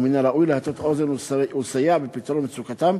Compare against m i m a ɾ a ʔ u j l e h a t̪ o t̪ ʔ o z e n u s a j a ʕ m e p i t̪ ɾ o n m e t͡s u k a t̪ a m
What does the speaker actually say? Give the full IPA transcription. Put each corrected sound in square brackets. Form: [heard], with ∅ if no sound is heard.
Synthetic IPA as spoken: m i [n] a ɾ a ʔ u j l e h a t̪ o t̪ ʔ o z e n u s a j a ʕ [b] e p i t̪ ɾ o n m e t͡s u k a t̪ a m